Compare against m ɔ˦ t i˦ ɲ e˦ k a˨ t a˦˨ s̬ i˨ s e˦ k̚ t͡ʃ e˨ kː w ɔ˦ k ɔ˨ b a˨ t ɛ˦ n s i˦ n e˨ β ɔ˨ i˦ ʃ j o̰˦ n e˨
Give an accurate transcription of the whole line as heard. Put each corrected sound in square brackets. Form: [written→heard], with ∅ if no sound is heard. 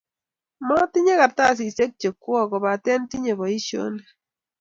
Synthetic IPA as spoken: m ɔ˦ t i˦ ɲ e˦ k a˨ t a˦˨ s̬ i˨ s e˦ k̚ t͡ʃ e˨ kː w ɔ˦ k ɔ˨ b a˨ t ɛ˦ n [s→t] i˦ [n→ɲ] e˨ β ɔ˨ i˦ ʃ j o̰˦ n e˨

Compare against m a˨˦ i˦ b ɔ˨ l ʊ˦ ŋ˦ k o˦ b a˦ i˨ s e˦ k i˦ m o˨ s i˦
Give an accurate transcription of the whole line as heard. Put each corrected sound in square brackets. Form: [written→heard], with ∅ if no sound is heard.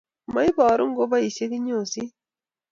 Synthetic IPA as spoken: m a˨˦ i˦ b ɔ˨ [l→ɾ] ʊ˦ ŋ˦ [k→ɡ] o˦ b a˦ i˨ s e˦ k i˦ [m→ɲ] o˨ s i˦

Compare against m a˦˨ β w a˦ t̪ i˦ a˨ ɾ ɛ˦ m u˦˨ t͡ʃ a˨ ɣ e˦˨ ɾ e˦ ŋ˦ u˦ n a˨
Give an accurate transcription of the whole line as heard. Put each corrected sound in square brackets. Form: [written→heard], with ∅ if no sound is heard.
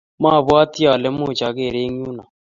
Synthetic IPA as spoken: m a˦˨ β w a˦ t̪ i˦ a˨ [ɾ→l] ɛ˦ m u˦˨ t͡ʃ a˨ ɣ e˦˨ ɾ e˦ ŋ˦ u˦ n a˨

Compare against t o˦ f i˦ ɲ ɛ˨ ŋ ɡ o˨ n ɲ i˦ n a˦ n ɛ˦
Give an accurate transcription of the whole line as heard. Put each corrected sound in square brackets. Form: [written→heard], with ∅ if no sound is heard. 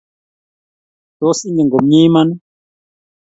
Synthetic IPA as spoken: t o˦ [f→s] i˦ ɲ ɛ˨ ŋ ɡ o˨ [n→m] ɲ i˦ [n→m] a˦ n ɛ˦

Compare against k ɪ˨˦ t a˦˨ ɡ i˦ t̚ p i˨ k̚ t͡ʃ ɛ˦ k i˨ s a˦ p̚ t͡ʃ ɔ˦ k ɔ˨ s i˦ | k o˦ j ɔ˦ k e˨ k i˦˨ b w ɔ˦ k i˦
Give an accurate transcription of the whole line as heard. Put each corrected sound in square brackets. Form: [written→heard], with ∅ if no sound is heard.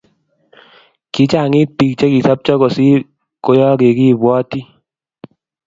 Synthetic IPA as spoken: k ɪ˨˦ [t→t͡ʃ] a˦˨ [ɡ→ŋ] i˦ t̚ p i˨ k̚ t͡ʃ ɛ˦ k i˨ s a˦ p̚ t͡ʃ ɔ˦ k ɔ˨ s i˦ | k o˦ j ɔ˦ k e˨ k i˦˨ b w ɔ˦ [k→t] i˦

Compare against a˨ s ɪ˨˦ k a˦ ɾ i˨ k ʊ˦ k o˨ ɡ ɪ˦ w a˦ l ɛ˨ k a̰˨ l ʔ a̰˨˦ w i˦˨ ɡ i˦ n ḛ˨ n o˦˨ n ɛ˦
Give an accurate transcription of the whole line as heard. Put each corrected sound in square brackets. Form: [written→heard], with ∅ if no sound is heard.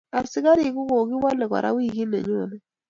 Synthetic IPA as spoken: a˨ s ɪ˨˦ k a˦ ɾ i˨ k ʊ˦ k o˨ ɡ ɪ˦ w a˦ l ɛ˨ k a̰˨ [l→ɾ] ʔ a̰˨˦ w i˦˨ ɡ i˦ n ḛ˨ [n→ɲ] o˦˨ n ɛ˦

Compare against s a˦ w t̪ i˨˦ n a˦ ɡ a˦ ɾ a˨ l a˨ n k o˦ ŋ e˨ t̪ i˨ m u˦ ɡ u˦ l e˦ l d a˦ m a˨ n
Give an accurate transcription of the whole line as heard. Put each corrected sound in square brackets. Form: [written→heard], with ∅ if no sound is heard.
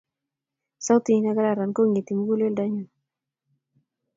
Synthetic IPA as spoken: s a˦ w t̪ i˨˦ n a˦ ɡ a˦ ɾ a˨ [l→ɾ] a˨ n k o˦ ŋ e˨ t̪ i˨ m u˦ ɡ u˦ l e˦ l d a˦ [m→ɲ] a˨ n

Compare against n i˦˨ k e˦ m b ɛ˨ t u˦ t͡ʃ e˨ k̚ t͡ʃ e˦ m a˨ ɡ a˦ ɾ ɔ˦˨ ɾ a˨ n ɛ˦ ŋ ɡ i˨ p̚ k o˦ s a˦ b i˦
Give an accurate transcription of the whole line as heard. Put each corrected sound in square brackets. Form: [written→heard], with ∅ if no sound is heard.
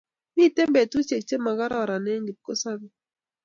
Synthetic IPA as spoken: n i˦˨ [k→t] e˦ m b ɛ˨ t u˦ t͡ʃ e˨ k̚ t͡ʃ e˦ m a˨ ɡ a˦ ɾ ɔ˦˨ ɾ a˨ n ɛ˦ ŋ ɡ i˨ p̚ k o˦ s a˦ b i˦

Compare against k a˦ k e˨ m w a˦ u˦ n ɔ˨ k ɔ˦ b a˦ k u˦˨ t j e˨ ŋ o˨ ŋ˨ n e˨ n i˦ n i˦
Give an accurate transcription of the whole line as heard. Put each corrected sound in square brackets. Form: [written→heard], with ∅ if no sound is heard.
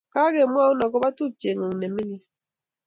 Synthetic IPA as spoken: k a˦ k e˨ m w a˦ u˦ n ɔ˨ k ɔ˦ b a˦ [k→t] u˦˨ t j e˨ ŋ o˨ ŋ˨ n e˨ [n→m] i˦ n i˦

